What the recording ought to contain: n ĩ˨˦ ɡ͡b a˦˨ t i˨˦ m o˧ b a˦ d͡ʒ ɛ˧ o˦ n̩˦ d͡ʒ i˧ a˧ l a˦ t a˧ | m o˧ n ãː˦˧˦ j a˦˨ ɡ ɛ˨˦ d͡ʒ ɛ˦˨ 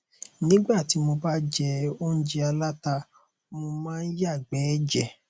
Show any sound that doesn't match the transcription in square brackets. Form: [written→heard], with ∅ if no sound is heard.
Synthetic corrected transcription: n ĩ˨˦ ɡ͡b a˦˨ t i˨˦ m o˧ b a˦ d͡ʒ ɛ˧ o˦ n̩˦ d͡ʒ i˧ a˧ l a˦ t a˧ | m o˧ [n→m] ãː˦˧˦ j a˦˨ [ɡ→ɡ͡b] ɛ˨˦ d͡ʒ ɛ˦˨